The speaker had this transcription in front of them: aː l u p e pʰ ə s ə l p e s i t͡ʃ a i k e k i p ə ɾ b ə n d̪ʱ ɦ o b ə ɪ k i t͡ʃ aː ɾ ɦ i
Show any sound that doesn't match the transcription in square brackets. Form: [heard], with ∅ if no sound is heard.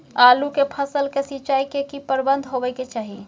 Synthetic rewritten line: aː l u [k] e pʰ ə s ə l [k] e s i t͡ʃ a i k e k i p ə ɾ b ə n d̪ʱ ɦ o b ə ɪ k [e] t͡ʃ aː [∅] ɦ i